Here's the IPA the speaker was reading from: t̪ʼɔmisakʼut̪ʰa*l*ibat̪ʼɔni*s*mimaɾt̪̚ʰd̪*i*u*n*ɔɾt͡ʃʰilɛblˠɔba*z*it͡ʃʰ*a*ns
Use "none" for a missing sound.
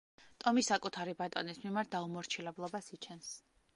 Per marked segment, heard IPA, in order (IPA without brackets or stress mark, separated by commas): ɾ, s, a, m, s, ɛ